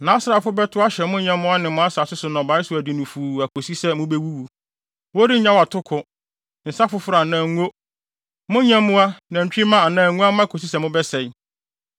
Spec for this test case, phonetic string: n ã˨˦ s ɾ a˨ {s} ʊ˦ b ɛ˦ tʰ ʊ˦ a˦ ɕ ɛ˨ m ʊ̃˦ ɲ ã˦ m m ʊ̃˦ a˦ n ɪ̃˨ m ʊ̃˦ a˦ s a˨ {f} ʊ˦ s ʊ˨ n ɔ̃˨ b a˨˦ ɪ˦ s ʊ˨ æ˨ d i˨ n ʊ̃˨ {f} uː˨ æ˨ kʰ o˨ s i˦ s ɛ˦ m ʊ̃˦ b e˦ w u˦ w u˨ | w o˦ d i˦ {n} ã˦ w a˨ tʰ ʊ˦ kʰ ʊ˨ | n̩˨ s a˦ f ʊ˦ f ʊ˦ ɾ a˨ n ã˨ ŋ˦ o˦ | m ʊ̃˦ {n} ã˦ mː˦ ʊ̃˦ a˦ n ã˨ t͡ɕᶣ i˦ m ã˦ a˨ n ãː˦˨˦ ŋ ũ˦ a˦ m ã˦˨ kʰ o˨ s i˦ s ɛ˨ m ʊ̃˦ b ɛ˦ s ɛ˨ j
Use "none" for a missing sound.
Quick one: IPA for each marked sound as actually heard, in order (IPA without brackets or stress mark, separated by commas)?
f, s, f, ɲ, ɲ